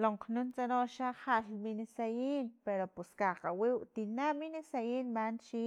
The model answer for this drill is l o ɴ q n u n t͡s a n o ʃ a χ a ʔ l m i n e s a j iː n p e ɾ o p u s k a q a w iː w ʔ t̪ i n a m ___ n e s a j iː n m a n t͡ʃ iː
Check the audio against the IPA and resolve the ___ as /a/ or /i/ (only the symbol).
i